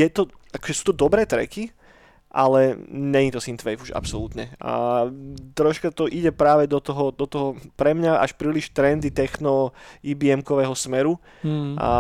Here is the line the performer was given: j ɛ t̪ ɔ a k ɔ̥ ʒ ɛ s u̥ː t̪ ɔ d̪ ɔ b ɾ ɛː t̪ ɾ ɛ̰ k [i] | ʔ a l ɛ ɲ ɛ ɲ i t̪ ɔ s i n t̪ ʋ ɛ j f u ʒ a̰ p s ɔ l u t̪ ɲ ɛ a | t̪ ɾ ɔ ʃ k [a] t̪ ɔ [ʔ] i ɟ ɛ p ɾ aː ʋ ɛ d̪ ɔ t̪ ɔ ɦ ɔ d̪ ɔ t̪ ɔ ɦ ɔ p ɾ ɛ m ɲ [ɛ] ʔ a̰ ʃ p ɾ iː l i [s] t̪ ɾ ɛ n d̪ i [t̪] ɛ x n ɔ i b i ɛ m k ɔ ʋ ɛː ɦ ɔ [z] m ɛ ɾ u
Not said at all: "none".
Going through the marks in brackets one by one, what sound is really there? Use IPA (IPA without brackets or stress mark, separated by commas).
i, a, ʔ, a, ʃ, t̪, s